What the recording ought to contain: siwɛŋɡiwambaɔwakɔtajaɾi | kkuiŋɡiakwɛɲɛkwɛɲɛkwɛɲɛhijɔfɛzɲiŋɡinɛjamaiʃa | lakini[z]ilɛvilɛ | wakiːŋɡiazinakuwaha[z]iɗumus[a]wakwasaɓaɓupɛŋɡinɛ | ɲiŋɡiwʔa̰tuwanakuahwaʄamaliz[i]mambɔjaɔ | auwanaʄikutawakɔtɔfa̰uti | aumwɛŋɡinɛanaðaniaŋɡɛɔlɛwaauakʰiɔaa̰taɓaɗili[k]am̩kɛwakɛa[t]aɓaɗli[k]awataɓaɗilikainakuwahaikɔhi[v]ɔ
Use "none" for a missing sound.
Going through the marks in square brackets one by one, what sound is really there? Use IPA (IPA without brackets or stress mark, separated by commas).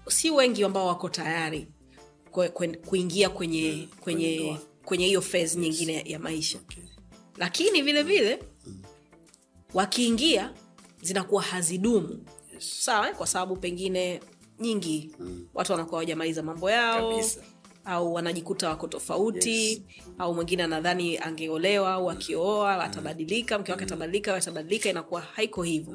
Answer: v, z, a, a, k, t, k, v